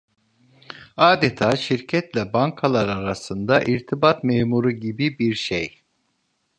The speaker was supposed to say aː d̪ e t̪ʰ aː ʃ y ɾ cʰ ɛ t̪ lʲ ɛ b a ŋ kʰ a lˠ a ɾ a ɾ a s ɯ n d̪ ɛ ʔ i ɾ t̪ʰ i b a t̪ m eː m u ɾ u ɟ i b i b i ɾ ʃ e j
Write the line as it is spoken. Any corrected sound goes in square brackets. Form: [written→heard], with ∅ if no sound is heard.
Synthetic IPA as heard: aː d̪ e t̪ʰ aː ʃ [y→i] ɾ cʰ ɛ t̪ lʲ ɛ b a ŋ kʰ a lˠ a ɾ a ɾ a s ɯ n d̪ [ɛ→a] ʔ i ɾ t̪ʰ i b a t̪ m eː m u ɾ u ɟ i b i b i ɾ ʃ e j